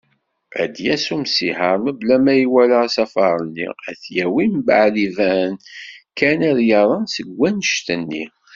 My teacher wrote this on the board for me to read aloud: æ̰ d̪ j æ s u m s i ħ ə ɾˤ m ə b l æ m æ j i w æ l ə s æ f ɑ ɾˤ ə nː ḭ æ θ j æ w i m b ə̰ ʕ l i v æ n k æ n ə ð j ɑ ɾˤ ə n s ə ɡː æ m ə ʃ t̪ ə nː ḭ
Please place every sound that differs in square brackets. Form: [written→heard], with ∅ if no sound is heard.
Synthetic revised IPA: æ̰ d̪ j æ s u m s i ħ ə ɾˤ m ə b l æ m æ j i w æ l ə s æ f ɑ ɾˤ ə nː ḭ æ θ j æ w i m b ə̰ ʕ l i v æ n k æ n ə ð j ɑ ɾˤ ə n s ə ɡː æ [m→n] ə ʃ t̪ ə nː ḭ